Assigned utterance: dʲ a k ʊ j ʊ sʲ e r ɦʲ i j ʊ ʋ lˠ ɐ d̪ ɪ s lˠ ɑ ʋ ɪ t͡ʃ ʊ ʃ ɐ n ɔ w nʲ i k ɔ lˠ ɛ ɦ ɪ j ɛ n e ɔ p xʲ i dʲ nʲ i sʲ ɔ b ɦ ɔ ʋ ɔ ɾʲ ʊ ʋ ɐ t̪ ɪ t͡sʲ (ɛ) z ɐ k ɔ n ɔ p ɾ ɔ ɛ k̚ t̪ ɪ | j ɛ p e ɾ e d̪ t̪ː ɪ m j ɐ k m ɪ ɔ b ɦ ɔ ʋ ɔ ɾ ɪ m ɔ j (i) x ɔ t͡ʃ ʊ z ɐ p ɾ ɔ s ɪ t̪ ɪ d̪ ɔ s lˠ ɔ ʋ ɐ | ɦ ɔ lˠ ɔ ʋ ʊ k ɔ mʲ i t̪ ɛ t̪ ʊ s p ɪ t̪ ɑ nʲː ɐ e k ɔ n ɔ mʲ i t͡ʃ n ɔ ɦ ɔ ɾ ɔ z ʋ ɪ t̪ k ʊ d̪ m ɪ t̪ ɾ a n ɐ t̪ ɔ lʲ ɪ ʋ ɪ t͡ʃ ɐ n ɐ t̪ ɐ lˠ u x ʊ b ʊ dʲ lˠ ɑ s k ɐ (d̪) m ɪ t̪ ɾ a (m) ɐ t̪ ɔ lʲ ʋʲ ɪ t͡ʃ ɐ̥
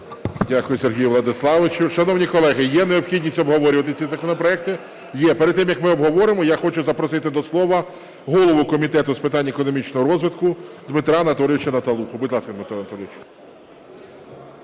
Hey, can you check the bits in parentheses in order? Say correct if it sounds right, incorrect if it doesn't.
incorrect: i, incorrect: a, correct, incorrect: n

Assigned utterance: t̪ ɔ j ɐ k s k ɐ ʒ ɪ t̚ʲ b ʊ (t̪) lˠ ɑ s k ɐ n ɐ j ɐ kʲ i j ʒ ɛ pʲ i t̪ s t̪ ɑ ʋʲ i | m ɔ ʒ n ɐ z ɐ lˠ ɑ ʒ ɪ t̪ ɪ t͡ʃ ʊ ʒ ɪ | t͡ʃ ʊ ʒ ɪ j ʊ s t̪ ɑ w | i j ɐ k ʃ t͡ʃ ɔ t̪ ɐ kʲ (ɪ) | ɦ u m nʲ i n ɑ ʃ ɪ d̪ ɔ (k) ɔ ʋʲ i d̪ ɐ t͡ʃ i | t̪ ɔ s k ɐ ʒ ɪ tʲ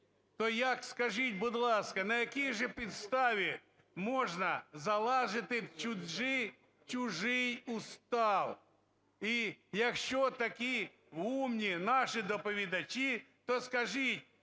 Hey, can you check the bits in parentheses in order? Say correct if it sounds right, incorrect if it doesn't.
incorrect: d̪, incorrect: i, incorrect: p

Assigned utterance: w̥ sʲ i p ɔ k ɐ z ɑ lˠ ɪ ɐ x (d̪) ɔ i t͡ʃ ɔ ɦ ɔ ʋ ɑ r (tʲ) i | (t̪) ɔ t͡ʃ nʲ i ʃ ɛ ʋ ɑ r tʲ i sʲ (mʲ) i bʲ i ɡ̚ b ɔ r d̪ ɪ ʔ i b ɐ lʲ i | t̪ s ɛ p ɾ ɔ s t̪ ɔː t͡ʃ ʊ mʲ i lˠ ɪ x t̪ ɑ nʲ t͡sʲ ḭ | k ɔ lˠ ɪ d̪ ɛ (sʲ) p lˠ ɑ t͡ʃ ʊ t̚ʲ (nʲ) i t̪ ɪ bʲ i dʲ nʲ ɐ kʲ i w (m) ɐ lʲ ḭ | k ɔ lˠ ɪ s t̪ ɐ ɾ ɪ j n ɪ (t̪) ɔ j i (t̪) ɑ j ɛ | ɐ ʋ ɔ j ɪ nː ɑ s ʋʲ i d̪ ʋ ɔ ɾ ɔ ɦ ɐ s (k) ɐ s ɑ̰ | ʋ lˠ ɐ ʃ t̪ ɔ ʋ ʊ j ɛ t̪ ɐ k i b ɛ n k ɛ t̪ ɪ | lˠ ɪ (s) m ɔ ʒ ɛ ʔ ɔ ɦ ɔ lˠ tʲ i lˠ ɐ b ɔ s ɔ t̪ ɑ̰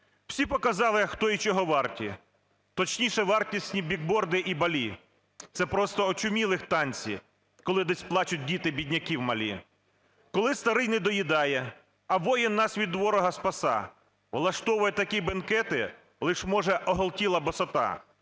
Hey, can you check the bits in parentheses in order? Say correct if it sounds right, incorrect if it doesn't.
incorrect: t̪, correct, correct, incorrect: nʲ, correct, incorrect: dʲ, correct, incorrect: d̪, incorrect: d̪, incorrect: p, incorrect: ʃ

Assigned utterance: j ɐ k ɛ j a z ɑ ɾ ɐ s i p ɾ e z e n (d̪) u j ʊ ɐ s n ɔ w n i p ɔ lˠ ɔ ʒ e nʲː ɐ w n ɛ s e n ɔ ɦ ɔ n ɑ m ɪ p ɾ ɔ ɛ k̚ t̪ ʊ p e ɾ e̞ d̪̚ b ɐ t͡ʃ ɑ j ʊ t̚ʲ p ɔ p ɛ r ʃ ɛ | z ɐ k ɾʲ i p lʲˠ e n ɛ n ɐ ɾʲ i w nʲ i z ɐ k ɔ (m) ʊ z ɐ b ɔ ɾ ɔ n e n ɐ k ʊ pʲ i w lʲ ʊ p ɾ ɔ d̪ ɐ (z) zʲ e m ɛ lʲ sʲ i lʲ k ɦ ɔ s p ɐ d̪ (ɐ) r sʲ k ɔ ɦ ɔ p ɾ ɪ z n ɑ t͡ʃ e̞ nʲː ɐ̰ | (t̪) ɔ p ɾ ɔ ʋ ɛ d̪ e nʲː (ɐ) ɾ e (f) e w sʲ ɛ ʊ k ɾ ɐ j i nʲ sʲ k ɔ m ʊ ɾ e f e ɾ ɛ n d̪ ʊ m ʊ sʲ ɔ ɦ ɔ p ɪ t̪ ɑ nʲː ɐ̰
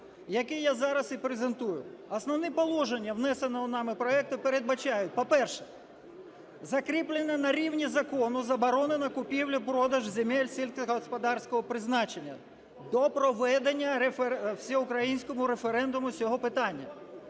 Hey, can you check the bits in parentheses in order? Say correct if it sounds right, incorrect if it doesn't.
incorrect: t̪, incorrect: n, incorrect: ʒ, incorrect: ɑ, incorrect: d̪, correct, correct

